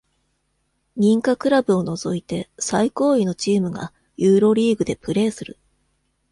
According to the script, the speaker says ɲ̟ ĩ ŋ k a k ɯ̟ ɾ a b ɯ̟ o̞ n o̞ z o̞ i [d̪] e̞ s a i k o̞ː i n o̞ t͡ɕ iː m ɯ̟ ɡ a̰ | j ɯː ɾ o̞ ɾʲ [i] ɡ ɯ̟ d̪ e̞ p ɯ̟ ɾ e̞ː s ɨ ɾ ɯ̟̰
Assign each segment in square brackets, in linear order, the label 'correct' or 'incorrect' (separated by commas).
incorrect, incorrect